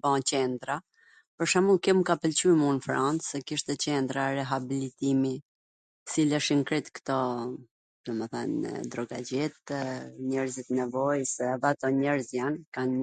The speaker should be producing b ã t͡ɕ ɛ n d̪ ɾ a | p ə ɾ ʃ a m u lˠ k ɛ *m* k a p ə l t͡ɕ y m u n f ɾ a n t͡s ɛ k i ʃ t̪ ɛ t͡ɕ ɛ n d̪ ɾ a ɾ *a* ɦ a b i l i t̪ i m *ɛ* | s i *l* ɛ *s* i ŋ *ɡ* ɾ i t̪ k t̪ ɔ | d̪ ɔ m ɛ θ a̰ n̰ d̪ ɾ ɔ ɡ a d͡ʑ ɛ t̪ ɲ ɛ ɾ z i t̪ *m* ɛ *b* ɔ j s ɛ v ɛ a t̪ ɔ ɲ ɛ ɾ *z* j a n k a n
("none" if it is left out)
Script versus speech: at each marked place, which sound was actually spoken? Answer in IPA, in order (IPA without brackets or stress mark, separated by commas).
m, ɛ, i, l, ʃ, k, n, v, z